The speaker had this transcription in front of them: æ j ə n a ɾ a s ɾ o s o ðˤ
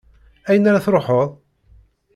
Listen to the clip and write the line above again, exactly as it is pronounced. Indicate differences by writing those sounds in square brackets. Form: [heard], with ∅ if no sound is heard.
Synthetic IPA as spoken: æ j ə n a ɾ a [θ] ɾ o [ħ] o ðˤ